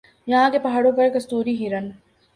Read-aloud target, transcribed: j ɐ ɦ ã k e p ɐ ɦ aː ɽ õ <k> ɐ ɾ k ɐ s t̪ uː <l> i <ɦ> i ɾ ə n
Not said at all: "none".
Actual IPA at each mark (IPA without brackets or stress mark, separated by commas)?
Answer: p, ɾ, ɦ